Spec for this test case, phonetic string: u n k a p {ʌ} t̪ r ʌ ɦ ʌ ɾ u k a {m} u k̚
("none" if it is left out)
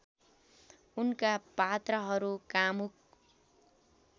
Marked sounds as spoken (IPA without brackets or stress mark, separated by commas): a, m